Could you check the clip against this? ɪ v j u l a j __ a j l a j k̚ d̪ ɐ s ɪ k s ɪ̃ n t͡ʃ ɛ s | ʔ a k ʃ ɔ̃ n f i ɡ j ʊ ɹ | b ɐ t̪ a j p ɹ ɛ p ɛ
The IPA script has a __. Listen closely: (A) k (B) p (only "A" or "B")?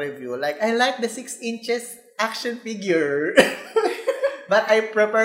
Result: A